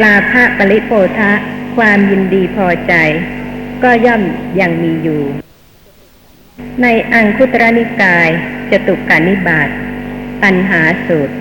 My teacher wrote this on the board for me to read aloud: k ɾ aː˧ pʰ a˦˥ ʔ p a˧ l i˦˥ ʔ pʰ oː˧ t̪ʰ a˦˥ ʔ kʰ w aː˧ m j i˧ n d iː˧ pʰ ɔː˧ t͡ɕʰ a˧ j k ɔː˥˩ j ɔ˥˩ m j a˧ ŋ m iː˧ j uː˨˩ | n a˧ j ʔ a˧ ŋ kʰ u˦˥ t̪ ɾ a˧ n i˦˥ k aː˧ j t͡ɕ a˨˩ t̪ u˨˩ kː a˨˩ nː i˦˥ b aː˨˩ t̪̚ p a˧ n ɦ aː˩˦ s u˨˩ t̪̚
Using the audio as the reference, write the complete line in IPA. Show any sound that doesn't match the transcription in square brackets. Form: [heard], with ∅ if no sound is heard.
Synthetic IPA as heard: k [l] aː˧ pʰ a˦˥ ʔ p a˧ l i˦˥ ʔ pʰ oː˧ t̪ʰ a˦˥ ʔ kʰ w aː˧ m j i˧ n d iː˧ pʰ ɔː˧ [t͡ɕ] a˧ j k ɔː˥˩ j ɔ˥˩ m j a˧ ŋ m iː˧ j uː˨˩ | n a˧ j ʔ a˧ ŋ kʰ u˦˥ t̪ ɾ [a˦˥] n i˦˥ k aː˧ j t͡ɕ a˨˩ t̪ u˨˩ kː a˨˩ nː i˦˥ b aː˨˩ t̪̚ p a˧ n ɦ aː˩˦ s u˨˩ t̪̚